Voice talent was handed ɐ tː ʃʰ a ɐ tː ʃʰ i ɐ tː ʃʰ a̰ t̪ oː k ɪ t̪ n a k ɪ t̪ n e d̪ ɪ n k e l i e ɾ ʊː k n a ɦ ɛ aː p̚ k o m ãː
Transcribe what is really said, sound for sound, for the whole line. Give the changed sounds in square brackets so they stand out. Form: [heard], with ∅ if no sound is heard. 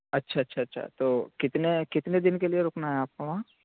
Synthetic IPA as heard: ɐ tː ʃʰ a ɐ tː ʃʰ [a] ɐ tː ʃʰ a̰ t̪ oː k ɪ t̪ n [e] k ɪ t̪ n e d̪ ɪ n k e l i e ɾ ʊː k n a ɦ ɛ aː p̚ k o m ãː

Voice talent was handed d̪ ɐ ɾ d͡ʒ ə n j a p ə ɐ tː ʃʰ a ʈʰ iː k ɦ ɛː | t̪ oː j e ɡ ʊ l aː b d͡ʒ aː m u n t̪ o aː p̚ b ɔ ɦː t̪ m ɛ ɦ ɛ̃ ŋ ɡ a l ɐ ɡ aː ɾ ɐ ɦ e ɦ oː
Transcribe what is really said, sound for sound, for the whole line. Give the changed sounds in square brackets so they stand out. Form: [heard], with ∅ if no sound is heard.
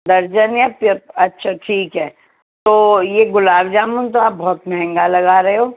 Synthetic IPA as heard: d̪ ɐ ɾ d͡ʒ ə n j a p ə ɐ tː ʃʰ a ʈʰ iː k ɦ ɛː | t̪ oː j e ɡ ʊ l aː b d͡ʒ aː m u n t̪ o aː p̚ b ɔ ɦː t̪ m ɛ ɦ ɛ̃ ŋ ɡ a l ɐ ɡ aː ɾ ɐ ɦ e ɦ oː

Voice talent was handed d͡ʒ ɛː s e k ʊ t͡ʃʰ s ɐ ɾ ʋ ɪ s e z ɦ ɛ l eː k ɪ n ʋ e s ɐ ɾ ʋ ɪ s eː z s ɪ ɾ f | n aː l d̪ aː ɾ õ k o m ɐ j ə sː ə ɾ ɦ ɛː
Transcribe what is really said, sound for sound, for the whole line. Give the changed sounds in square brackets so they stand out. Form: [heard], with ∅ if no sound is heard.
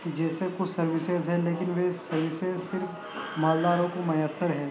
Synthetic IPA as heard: d͡ʒ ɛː s e k ʊ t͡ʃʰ s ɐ ɾ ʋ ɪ s e z ɦ ɛ l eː k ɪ n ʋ e s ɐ ɾ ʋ ɪ s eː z s ɪ ɾ f | [m] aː l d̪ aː ɾ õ k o m ɐ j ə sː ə ɾ ɦ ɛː

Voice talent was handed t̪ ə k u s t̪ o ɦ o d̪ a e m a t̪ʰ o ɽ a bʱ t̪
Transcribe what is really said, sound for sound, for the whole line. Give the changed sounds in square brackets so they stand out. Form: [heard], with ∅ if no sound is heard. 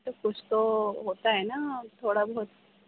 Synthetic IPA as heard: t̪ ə k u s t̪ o ɦ o [t̪] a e [n] a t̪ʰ o ɽ a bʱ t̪

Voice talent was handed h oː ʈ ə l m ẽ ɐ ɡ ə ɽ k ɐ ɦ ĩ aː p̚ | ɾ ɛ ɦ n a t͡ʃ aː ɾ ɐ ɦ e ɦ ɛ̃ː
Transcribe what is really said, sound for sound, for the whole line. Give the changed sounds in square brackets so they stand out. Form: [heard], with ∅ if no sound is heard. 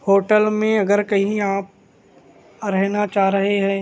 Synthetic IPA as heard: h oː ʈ ə l m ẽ ɐ ɡ ə [ɾ] k ɐ ɦ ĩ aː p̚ | ɾ ɛ ɦ n a t͡ʃ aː ɾ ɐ ɦ e ɦ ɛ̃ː

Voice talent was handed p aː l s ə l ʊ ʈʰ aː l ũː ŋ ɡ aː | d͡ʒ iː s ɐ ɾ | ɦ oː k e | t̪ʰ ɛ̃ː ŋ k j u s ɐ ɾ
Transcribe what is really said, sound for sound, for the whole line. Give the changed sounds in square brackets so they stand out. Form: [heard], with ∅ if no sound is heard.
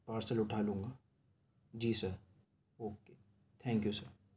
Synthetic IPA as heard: p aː [ɾ] s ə l ʊ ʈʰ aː l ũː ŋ ɡ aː | d͡ʒ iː s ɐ ɾ | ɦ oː k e | t̪ʰ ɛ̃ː ŋ k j u s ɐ ɾ

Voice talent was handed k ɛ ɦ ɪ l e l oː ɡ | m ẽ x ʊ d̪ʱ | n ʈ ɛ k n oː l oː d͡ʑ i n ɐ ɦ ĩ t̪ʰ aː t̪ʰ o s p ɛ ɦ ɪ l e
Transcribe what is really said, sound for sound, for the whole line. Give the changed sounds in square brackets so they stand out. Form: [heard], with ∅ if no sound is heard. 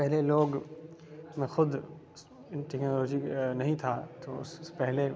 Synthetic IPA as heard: [p] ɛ ɦ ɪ l e l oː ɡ | m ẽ x ʊ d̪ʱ | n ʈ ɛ k n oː l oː d͡ʑ i n ɐ ɦ ĩ t̪ʰ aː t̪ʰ o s p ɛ ɦ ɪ l e

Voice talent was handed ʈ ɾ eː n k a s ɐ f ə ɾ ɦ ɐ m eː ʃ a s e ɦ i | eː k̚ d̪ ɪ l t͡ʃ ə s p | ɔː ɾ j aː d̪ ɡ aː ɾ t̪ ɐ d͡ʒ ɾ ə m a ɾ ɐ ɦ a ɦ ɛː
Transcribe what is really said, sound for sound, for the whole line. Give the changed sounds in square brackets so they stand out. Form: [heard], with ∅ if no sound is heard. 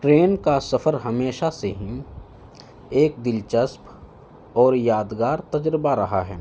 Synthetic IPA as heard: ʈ ɾ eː n k a s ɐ f ə ɾ ɦ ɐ m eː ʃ a s e ɦ i | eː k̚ d̪ ɪ l t͡ʃ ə s p | ɔː ɾ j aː d̪ ɡ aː ɾ t̪ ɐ d͡ʒ ɾ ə [b] a ɾ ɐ ɦ a ɦ ɛː

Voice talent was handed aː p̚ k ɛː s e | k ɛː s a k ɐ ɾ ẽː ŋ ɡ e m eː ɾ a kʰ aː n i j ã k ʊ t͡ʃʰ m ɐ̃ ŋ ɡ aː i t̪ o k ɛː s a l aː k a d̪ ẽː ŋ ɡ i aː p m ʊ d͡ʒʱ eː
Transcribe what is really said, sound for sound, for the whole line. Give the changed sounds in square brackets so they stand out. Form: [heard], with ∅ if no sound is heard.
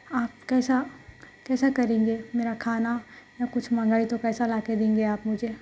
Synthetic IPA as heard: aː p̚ k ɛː s [a] | k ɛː s a k ɐ ɾ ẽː ŋ ɡ e m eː ɾ a kʰ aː n [a] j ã k ʊ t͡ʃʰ m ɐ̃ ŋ ɡ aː i t̪ o k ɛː s a l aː k [e] d̪ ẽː ŋ ɡ [e] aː p m ʊ d͡ʒʱ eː

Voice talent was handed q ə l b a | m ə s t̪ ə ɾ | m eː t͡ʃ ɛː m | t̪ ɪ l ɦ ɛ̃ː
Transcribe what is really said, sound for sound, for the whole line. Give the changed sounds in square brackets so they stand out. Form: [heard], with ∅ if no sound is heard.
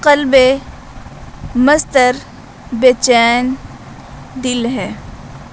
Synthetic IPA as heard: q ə l b [e] | m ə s t̪ ə ɾ | [b] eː t͡ʃ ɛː [n] | [d̪] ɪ l ɦ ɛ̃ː

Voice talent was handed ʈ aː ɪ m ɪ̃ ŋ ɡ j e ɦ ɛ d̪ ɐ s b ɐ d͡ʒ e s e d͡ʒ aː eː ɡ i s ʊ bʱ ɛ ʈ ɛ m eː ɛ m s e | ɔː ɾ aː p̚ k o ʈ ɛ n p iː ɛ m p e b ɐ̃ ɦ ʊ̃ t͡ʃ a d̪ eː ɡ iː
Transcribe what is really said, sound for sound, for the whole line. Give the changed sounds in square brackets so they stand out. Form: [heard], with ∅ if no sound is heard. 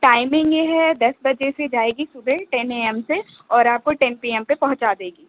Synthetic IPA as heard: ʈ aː ɪ m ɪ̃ ŋ ɡ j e ɦ ɛ d̪ ɐ s b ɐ d͡ʒ e s e d͡ʒ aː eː ɡ i s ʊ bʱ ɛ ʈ ɛ [n] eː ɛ m s e | ɔː ɾ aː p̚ k o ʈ ɛ n p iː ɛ m p e [p] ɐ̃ ɦ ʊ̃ t͡ʃ a d̪ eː ɡ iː

